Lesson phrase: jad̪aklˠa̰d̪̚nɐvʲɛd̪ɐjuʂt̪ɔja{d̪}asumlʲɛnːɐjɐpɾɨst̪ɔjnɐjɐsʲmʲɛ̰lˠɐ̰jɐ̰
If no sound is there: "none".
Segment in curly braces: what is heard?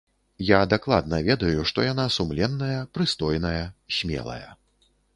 n̪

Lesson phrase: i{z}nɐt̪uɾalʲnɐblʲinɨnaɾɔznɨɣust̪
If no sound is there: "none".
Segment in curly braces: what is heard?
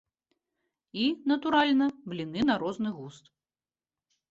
none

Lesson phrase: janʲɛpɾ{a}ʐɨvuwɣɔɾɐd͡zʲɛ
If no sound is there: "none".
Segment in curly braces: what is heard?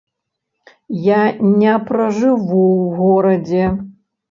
ɐ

